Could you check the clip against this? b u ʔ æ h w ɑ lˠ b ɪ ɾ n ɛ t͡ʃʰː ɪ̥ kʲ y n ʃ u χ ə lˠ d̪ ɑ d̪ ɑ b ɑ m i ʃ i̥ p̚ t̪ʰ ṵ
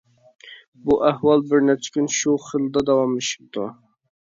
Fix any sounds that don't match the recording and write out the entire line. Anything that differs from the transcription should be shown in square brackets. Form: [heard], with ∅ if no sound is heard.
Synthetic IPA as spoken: b u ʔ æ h w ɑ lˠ b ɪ ɾ n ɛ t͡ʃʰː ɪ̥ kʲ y n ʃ u χ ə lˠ d̪ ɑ d̪ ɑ [w] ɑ m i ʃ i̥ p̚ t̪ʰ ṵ